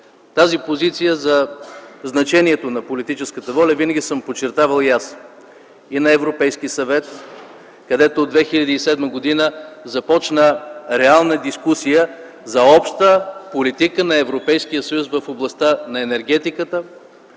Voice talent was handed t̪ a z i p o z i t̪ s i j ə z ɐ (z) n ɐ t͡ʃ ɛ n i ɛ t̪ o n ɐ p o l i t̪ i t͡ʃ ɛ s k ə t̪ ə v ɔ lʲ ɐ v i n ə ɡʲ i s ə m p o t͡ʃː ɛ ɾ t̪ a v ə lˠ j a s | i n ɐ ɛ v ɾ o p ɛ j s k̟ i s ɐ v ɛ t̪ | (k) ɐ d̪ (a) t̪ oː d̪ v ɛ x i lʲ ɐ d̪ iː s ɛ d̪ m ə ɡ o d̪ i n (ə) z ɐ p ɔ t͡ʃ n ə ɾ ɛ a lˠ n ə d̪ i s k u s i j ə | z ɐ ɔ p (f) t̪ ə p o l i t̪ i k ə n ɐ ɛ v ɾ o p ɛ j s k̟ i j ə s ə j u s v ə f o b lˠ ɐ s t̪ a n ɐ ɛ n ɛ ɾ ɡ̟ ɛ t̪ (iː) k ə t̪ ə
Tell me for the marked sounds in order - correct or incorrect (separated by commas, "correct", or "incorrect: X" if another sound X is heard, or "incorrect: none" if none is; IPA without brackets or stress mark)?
correct, correct, incorrect: ɛ, correct, incorrect: ʃ, incorrect: i